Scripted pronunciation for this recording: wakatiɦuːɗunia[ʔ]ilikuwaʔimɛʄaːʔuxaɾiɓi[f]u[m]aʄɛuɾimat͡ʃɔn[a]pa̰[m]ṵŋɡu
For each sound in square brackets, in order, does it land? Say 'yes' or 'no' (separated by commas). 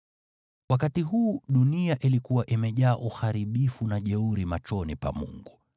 yes, yes, no, no, yes